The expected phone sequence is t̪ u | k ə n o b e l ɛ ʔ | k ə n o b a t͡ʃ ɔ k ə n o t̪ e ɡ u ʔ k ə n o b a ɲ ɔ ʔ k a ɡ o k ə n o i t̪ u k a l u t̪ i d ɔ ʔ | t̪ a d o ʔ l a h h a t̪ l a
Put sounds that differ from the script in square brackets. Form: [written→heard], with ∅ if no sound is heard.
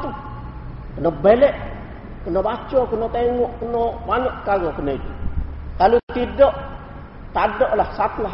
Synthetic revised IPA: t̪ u | k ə n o b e l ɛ ʔ | k ə n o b a t͡ʃ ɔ k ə n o t̪ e [ɡ→ŋ] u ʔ k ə n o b a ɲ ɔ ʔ k a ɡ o k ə n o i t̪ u k a l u t̪ i d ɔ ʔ | t̪ a d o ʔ l a h [h→s] a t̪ l a